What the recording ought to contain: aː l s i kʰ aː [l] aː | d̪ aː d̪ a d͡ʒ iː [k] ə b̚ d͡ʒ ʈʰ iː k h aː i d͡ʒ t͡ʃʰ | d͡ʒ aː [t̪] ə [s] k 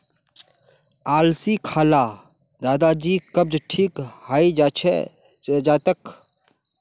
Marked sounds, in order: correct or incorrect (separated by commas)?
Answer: correct, correct, correct, incorrect